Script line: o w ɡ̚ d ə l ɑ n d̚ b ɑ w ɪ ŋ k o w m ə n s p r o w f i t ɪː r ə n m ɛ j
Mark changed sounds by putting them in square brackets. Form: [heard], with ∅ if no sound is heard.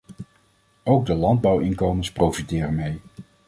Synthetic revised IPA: o w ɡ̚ d ə l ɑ n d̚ b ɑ w ɪ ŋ k o w m ə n s p r o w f i t ɪː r ə n m [e] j